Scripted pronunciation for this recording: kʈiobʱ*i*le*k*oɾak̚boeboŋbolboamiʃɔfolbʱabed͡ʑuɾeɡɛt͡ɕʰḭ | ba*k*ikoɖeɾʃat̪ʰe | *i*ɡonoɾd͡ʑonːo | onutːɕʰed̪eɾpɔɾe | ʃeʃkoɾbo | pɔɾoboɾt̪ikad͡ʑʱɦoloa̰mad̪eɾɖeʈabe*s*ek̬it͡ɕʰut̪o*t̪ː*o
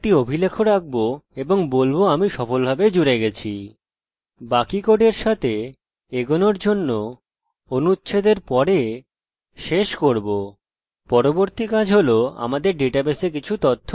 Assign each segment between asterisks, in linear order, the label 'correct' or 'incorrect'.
correct, incorrect, correct, incorrect, correct, incorrect

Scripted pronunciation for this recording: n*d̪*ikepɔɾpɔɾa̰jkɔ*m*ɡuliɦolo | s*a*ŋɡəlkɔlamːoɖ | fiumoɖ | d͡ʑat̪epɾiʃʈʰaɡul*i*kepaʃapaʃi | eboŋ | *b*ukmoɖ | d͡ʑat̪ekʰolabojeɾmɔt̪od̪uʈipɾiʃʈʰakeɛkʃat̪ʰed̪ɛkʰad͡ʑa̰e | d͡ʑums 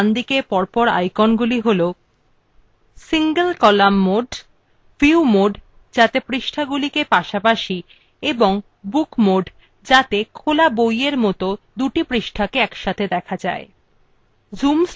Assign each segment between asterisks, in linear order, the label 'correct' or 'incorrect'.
correct, incorrect, incorrect, correct, correct

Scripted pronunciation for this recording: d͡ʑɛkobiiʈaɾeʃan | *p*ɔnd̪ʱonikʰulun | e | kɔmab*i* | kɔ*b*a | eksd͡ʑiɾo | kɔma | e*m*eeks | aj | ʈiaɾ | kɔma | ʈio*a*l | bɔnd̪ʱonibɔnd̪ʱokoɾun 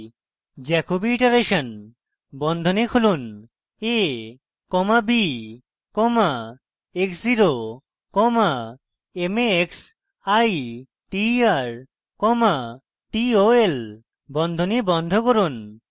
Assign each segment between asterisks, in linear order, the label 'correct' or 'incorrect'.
incorrect, correct, incorrect, correct, incorrect

